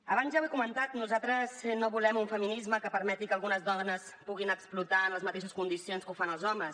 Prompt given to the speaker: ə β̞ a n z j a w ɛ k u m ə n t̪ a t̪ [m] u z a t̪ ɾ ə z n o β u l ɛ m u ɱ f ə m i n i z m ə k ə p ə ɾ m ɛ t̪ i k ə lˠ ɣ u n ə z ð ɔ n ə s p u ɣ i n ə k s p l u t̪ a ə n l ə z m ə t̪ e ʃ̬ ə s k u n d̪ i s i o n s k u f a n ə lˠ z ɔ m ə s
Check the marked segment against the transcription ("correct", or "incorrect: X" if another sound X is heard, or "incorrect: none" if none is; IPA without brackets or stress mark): incorrect: n